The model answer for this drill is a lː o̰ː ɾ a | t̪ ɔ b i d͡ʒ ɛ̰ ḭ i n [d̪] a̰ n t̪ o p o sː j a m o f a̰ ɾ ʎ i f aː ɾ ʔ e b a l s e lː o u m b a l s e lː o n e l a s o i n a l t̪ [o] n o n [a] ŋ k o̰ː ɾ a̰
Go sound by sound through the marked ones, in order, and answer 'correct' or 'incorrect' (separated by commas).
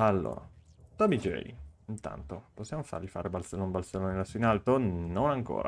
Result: incorrect, correct, correct